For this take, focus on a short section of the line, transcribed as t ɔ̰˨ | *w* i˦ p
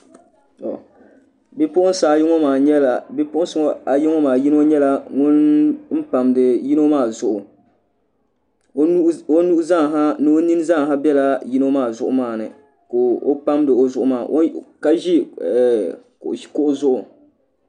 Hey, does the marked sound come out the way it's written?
no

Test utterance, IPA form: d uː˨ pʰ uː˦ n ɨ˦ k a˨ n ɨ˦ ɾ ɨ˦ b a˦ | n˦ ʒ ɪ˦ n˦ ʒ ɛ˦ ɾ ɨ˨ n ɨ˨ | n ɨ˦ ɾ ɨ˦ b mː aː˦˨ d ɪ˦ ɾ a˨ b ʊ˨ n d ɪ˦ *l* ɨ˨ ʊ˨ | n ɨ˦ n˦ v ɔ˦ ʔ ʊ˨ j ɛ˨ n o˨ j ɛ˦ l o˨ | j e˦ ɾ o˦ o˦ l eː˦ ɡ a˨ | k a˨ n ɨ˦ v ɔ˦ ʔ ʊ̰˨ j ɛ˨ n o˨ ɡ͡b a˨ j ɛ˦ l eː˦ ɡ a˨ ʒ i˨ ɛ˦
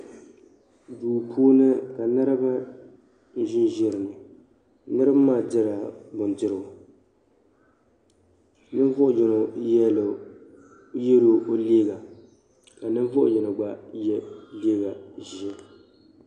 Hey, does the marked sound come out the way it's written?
no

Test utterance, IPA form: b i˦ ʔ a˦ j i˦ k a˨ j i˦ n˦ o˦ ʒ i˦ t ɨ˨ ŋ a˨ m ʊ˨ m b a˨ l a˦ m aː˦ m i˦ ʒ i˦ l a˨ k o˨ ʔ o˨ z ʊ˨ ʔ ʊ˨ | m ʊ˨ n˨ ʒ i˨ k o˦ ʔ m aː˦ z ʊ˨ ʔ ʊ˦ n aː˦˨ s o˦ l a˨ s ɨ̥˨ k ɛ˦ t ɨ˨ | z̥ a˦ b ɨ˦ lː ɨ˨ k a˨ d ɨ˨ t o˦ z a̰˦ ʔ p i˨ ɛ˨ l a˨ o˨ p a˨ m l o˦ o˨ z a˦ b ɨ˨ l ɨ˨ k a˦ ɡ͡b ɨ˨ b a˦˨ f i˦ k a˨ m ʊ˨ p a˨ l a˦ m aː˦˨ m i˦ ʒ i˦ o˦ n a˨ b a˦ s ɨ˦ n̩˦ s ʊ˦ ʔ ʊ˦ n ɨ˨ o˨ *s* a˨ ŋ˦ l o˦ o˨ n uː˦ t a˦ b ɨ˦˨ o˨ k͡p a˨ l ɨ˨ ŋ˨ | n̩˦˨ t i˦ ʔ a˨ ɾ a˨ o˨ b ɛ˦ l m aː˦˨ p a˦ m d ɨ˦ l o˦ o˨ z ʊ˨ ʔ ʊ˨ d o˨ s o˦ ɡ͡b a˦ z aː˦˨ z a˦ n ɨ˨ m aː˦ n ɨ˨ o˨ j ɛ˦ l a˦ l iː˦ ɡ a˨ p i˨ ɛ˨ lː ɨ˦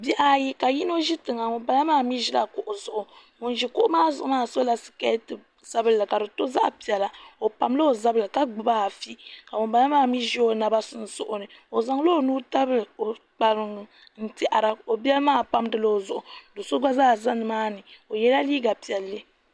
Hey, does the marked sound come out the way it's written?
no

